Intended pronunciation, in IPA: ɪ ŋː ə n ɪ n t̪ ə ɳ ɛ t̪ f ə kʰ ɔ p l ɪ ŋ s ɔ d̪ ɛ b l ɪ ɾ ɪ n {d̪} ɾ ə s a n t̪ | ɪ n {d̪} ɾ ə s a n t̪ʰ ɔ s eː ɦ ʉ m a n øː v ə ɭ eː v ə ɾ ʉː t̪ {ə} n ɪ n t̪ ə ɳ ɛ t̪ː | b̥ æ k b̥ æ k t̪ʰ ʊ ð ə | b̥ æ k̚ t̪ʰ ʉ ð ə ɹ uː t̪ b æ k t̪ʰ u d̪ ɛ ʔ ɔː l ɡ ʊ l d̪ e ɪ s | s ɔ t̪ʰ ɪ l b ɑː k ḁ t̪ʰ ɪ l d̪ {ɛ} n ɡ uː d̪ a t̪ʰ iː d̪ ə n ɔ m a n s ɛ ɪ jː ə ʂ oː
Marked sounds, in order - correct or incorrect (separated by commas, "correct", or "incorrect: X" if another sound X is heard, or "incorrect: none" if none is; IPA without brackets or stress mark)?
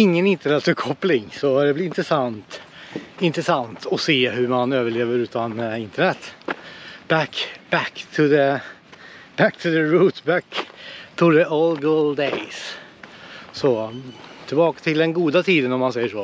incorrect: t̪, incorrect: t̪, incorrect: a, correct